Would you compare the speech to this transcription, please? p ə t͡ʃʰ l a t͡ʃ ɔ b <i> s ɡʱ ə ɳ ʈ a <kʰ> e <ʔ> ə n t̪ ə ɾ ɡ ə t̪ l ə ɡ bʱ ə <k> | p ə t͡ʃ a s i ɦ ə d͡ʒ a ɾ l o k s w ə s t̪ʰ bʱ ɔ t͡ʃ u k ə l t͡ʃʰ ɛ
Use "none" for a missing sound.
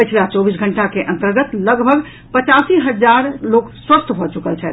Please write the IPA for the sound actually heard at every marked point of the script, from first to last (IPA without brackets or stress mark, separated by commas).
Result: i, k, ʔ, ɡ